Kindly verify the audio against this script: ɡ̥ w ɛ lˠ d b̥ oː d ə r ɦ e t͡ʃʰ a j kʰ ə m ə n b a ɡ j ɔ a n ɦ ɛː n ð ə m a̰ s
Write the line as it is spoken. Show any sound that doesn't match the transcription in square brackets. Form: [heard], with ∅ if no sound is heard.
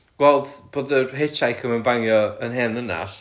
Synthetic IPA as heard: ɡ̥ w ɛ lˠ d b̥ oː d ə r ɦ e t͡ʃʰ a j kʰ ə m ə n b a [ŋ] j ɔ [ə] n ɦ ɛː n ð ə [n] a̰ s